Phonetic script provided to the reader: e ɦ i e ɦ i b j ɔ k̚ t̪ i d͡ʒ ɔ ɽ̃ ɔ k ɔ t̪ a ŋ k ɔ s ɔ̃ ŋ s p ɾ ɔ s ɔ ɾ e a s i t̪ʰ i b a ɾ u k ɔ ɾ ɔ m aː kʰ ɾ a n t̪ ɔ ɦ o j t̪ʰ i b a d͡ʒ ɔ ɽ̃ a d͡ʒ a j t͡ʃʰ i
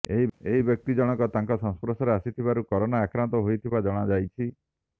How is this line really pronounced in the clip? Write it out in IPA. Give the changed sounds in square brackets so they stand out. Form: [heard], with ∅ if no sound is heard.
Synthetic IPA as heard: e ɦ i e ɦ i b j ɔ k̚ t̪ i d͡ʒ ɔ ɽ̃ ɔ k ɔ t̪ a ŋ k ɔ s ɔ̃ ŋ s p ɾ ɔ s ɔ ɾ e a s i t̪ʰ i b a ɾ u k ɔ ɾ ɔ [n] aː [k] ɾ a n t̪ ɔ ɦ o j t̪ʰ i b a d͡ʒ ɔ ɽ̃ a d͡ʒ a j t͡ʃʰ i